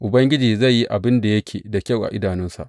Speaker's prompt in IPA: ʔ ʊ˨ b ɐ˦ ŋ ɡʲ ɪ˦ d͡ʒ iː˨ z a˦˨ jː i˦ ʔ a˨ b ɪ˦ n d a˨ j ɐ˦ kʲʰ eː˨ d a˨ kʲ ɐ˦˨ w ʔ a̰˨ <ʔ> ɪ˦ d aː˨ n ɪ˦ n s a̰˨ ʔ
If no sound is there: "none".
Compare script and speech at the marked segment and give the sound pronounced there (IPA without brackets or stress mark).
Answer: ʔ